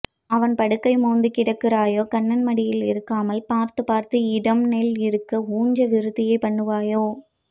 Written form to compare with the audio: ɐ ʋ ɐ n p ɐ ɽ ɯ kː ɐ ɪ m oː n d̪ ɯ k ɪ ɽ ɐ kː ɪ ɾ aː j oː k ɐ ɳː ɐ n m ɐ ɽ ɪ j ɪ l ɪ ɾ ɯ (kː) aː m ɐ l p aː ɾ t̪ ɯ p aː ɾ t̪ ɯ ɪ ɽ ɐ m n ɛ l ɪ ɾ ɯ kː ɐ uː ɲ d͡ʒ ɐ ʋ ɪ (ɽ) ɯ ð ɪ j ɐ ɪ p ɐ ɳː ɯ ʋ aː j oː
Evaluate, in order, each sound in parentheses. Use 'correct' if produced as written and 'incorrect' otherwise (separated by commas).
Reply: correct, incorrect